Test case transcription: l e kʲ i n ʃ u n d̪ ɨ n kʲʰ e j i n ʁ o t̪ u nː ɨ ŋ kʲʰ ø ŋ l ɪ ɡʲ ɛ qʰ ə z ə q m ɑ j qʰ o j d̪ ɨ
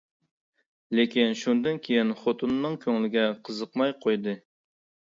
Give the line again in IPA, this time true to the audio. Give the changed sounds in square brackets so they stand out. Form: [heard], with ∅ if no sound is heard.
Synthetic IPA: l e kʲ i n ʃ u n d̪ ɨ n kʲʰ e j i n [χ] o t̪ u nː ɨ ŋ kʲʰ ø ŋ l ɪ ɡʲ ɛ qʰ ə z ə q m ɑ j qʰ o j d̪ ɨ